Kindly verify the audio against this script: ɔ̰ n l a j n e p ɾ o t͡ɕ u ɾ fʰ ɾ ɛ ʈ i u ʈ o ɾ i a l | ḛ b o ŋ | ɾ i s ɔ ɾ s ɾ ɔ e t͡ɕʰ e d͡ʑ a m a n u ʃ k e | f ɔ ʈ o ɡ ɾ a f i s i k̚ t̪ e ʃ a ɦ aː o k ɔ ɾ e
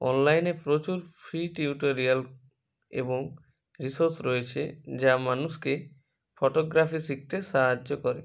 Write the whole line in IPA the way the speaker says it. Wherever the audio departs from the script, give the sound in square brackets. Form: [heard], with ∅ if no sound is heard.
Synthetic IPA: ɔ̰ n l a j n e p ɾ o t͡ɕ u ɾ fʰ ɾ [i] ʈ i u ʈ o ɾ i a l | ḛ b o ŋ | ɾ i s [o] ɾ s ɾ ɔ e t͡ɕʰ e d͡ʑ a m a n u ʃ k e | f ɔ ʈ o ɡ ɾ a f i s i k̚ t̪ e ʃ a ɦ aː o k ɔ ɾ e